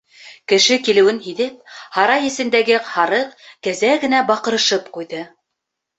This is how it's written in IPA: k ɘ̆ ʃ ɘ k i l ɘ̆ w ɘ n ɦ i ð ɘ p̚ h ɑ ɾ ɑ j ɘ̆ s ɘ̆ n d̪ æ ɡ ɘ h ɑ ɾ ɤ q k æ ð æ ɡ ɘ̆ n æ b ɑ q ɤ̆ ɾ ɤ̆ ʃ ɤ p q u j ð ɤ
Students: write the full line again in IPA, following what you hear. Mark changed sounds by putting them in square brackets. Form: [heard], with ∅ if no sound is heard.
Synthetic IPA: k ɘ̆ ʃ ɘ k i l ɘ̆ w ɘ n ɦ i ð ɘ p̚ h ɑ ɾ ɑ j ɘ̆ s ɘ̆ n d̪ æ ɡ ɘ h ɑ ɾ ɤ q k æ [z] æ ɡ ɘ̆ n æ b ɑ q ɤ̆ ɾ ɤ̆ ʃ ɤ p q u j ð ɤ